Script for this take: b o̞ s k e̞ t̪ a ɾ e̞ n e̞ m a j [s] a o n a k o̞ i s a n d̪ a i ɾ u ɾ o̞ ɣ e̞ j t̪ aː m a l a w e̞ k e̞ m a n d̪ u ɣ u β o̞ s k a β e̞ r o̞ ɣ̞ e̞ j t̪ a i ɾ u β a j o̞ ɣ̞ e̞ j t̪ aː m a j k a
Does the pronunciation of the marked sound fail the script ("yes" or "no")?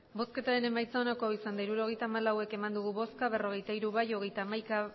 yes